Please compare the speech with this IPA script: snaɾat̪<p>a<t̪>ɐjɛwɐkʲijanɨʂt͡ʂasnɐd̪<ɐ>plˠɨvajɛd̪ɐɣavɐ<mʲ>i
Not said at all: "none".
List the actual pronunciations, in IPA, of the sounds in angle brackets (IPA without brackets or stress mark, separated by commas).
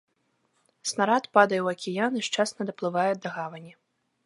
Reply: p, d̪, ɐ, nʲ